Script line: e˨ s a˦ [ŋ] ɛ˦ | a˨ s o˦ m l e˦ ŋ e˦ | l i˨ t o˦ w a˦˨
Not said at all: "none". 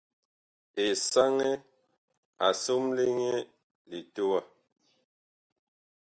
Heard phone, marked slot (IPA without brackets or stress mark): ŋ